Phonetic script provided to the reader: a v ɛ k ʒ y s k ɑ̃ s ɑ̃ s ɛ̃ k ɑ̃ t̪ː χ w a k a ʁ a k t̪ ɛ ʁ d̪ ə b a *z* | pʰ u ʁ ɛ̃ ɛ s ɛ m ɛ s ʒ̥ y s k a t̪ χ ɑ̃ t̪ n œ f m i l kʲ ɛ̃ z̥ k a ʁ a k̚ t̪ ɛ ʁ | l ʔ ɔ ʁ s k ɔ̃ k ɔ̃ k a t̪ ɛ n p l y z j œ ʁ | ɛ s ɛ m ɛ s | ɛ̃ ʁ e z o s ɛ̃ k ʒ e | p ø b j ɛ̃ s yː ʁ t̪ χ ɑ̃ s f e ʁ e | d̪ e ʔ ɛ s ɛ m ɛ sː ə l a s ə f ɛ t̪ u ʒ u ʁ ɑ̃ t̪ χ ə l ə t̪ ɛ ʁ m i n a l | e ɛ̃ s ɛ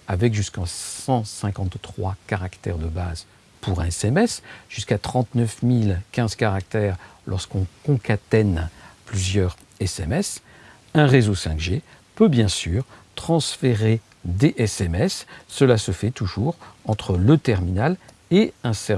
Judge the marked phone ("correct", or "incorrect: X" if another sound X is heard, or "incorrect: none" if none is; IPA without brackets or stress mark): correct